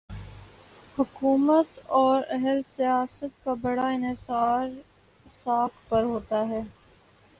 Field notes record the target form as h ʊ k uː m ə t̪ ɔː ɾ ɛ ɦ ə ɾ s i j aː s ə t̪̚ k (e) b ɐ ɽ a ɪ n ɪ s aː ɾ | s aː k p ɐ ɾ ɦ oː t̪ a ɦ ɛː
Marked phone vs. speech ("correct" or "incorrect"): incorrect